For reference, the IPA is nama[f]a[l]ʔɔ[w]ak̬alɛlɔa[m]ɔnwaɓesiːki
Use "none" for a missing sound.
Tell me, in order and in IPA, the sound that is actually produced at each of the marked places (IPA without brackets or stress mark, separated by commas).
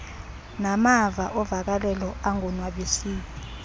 v, none, v, ŋ